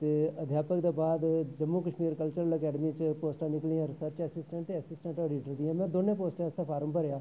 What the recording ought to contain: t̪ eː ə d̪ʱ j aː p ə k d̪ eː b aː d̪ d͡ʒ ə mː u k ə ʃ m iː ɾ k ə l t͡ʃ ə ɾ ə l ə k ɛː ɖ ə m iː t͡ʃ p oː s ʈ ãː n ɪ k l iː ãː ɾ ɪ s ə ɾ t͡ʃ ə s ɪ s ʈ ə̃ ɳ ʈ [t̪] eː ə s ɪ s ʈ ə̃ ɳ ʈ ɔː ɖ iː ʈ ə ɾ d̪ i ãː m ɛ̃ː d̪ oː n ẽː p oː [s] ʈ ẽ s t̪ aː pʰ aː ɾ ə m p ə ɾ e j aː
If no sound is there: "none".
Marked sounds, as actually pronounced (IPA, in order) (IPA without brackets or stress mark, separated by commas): t̪, s